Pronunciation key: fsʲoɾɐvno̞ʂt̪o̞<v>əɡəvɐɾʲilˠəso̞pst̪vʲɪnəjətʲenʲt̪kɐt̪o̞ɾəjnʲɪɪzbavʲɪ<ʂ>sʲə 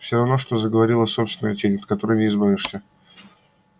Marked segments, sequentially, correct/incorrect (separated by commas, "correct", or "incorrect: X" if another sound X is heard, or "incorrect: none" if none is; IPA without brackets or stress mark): incorrect: z, correct